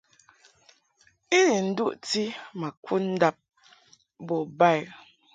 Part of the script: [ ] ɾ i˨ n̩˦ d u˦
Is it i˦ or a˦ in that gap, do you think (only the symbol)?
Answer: i˦